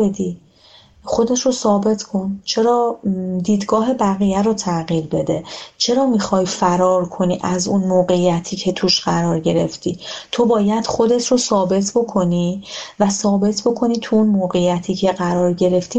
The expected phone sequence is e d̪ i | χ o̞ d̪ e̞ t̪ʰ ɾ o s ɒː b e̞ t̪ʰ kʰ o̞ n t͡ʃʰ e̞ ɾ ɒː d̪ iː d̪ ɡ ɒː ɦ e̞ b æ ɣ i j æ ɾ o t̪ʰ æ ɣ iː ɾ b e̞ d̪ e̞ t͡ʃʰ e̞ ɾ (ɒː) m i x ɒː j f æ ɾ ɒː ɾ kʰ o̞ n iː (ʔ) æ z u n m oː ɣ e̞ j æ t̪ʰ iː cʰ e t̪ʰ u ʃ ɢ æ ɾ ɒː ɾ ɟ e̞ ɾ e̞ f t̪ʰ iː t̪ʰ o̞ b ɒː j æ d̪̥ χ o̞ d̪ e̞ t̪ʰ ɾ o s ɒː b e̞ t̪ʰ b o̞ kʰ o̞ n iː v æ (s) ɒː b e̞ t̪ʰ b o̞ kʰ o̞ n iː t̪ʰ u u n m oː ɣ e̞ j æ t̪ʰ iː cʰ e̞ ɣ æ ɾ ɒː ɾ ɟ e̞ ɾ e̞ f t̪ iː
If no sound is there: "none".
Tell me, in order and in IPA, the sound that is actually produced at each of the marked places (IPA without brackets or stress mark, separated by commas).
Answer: ɒː, ʔ, s